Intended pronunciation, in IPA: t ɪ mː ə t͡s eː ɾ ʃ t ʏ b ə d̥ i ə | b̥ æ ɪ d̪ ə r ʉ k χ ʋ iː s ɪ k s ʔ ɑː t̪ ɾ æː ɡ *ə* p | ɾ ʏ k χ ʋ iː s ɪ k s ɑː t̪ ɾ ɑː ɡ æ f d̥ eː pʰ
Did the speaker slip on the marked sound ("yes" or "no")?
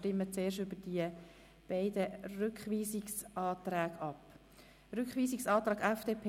yes